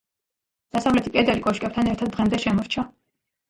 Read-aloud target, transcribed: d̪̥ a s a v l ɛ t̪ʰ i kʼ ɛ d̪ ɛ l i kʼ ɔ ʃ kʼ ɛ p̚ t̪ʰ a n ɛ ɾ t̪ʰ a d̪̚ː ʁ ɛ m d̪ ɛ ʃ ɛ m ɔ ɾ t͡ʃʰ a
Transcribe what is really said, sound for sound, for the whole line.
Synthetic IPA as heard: d̪̥ a s a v l ɛ t̪ʰ i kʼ ɛ d̪ ɛ l i kʼ ɔ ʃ kʼ ɛ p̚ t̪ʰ a n ɛ ɾ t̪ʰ a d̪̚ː ʁ ɛ m d̪ ɛ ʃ ɛ m ɔ ɾ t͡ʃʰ a